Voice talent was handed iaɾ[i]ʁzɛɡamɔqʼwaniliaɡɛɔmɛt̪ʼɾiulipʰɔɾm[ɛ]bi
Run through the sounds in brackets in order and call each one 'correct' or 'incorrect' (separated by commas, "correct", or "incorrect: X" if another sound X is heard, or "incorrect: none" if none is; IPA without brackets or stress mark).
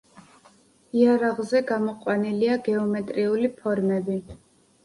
incorrect: a, correct